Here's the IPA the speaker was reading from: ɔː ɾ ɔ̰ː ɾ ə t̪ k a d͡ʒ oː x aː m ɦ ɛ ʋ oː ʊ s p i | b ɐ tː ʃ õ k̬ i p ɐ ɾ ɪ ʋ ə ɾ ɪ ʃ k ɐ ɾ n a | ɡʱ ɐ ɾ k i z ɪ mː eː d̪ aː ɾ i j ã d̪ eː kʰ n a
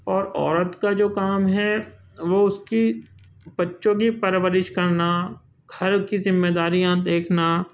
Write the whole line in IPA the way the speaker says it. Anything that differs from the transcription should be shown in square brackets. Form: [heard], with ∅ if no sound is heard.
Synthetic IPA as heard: ɔː ɾ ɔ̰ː ɾ ə t̪ k a d͡ʒ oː [k] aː m ɦ ɛ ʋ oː ʊ s [k] i | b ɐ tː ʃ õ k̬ i p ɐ ɾ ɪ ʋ ə ɾ ɪ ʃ k ɐ ɾ n a | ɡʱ ɐ ɾ k i z ɪ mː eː d̪ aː ɾ i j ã d̪ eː kʰ n a